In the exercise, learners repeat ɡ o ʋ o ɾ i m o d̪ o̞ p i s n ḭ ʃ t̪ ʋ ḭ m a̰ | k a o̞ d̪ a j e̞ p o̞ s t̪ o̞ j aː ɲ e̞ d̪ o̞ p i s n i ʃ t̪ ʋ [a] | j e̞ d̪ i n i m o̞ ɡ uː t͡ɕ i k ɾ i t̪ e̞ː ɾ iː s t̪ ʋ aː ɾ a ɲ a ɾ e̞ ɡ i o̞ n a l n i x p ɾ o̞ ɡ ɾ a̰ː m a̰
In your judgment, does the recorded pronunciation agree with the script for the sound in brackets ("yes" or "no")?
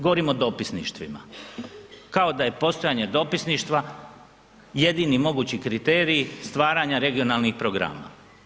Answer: yes